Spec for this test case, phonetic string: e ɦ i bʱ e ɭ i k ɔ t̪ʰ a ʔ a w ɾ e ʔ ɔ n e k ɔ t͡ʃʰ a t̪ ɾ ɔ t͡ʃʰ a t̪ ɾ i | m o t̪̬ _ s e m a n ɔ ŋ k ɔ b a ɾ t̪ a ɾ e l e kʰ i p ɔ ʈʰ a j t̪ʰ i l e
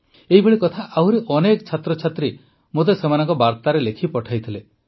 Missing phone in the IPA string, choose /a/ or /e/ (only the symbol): e